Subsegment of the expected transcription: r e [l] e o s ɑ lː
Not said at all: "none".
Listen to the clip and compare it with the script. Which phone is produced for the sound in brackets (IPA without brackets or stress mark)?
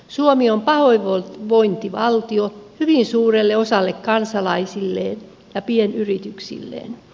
lː